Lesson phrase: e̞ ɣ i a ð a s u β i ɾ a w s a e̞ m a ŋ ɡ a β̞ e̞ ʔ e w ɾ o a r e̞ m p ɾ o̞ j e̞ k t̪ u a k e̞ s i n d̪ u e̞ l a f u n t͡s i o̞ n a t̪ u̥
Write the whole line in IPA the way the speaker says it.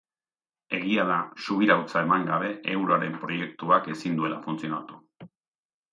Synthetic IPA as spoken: e̞ ɣ i a ð a s u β i ɾ a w t͡s a e̞ m a ŋ ɡ a β̞ e̞ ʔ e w ɾ o a ɾ e̞ m p ɾ o̞ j e̞ k t̪ u a k e̞ s i n d̪ u e̞ l a f u n t͡s i o̞ n a t̪ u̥